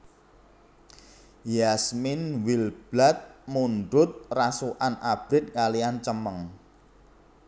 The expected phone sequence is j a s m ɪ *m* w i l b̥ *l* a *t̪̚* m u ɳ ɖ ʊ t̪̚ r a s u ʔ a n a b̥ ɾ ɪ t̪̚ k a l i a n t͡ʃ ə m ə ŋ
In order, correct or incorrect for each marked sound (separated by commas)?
incorrect, correct, correct